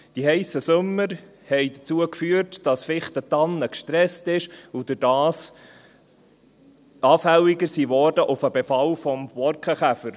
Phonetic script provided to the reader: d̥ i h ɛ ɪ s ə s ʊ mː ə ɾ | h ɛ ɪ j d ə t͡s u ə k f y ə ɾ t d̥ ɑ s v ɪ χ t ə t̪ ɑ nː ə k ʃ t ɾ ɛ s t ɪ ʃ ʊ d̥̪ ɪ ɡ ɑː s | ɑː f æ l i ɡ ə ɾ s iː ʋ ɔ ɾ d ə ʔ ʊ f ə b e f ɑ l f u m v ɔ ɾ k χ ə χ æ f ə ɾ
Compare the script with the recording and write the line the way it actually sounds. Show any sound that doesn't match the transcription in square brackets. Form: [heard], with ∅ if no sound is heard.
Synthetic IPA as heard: d̥ i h ɛ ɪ s ə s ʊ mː ə ɾ | h ɛ ɪ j d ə t͡s u ə k f y ə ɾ t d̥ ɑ s [f] ɪ χ t ə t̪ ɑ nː ə k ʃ t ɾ ɛ s t ɪ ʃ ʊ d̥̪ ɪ [d] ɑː s | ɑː f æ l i ɡ ə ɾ s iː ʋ ɔ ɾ d ə ʔ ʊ f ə b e f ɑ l f [ɔ] m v ɔ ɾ k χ ə χ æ f ə ɾ

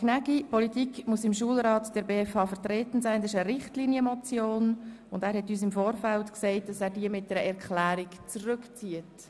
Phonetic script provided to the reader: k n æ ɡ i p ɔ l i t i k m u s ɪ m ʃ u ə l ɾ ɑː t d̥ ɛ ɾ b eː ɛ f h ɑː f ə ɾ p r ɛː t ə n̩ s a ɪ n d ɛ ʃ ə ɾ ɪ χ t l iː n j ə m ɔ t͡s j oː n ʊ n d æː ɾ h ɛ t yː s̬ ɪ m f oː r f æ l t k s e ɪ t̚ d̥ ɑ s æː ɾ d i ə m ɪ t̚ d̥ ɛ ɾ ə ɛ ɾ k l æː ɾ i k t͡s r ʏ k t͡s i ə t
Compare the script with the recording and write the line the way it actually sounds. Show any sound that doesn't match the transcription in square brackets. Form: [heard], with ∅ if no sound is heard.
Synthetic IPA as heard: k n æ ɡ i p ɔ l i t i k m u s ɪ m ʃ u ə l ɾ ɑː t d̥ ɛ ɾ b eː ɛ f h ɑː f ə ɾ [t] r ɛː t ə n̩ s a ɪ n d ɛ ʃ ə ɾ ɪ χ t l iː n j ə m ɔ t͡s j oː n ʊ n d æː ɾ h ɛ t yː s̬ ɪ m f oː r f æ l t k s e ɪ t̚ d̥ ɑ s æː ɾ d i ə m ɪ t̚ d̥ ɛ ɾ ə ɛ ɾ k l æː ɾ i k t͡s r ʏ k t͡s i ə t

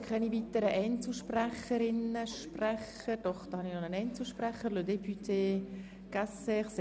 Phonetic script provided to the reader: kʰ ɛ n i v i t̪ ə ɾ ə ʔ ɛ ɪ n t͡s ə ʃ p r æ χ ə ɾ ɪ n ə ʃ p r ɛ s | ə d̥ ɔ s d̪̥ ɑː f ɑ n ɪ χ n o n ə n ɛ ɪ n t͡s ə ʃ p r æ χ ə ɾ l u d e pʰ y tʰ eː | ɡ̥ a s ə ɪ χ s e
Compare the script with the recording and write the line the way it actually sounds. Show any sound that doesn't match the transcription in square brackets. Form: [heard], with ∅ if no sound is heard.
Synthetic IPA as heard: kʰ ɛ n i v i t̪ ə ɾ ə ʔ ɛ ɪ n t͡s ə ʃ p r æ χ ə ɾ ɪ n ə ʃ p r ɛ [χ] | ə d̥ ɔ [χ] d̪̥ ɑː [h] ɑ n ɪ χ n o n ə n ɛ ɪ n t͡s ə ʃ p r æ χ ə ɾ l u d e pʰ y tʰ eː | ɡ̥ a s ə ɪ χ s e

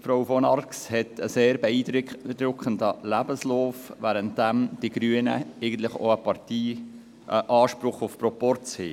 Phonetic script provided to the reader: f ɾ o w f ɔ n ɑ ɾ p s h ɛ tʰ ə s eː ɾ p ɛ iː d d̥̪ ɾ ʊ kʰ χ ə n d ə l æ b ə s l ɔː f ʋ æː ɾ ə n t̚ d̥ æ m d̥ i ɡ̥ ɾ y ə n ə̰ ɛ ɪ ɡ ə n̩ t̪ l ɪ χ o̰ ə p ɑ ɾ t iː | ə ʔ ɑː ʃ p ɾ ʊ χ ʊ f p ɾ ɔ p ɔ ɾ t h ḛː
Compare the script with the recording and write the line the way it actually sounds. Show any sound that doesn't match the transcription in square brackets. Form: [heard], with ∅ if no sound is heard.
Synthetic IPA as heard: f ɾ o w f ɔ n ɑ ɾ [k] s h ɛ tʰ ə s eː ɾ [b] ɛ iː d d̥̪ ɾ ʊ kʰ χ ə n d ə l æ b ə s l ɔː f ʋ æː ɾ ə n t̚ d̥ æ m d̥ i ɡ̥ ɾ y ə n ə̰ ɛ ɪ ɡ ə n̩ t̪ l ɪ χ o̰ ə p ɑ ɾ t iː | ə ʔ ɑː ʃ p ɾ ʊ χ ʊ f p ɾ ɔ p ɔ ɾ [t͡s] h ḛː

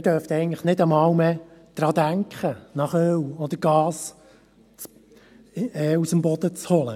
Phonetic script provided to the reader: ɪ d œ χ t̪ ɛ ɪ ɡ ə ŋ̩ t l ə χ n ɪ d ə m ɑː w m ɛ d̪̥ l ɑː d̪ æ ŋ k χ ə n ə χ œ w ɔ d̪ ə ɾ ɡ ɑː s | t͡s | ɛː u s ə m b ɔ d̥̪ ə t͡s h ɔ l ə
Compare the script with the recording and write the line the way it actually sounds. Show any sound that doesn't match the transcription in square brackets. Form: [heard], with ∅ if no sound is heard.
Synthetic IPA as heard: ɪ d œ [f] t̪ ɛ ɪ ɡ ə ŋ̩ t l ə χ n ɪ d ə m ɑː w m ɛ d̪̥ [ɾ] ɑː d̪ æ ŋ k χ ə n [ɑ] χ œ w ɔ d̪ ə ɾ ɡ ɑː s | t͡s | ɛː u s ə m b ɔ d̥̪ ə t͡s h ɔ l ə

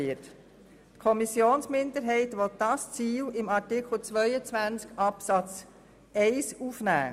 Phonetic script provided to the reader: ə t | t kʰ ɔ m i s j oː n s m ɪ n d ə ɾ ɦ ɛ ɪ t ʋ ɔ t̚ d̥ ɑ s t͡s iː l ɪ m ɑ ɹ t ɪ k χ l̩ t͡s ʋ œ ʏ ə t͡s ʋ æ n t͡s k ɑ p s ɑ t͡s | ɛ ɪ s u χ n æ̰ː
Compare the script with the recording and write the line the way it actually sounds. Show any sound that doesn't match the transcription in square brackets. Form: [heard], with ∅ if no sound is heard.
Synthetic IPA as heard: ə t | t kʰ ɔ m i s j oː n s m ɪ n d ə ɾ ɦ ɛ ɪ t ʋ ɔ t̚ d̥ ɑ s t͡s iː l ɪ m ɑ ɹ t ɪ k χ l̩ t͡s ʋ œ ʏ ə t͡s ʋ æ n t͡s k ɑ p s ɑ t͡s | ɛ ɪ s u [f] n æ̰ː

